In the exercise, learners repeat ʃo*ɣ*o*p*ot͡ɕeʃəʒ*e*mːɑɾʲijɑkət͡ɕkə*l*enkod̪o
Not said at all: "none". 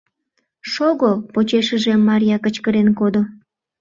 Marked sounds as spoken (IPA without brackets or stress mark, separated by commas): ɣ, p, e, ɾ